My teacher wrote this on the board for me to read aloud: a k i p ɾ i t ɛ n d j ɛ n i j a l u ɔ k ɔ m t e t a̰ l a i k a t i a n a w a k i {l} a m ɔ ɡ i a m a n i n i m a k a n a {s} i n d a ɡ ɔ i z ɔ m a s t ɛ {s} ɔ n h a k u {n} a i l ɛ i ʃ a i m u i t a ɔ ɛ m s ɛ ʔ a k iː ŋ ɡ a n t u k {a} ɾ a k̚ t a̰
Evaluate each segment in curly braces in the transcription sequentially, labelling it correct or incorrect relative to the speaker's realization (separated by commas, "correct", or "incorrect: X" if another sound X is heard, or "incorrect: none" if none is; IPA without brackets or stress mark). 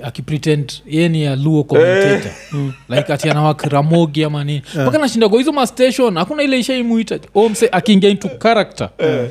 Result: incorrect: ɾ, incorrect: ʃ, incorrect: ʃ, correct, correct